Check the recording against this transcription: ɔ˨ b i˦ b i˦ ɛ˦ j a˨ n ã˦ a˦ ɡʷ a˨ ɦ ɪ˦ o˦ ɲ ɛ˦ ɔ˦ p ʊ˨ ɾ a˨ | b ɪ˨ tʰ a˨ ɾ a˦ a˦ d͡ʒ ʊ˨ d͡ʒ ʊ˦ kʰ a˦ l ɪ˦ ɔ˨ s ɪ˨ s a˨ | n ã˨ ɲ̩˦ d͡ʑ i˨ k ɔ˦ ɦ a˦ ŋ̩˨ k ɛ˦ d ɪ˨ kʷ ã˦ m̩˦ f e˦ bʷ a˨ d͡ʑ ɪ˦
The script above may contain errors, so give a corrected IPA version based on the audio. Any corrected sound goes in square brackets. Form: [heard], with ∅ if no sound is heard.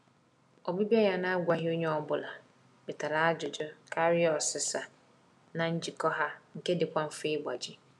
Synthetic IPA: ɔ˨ b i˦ b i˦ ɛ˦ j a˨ n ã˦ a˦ ɡʷ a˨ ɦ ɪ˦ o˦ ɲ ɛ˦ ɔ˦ [b] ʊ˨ [l] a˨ | b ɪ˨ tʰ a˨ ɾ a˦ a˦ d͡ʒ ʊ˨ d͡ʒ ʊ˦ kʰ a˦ [ɾ] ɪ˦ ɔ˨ s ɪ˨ s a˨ | n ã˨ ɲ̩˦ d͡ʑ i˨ k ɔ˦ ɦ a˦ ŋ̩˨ k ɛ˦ d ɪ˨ kʷ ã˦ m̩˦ f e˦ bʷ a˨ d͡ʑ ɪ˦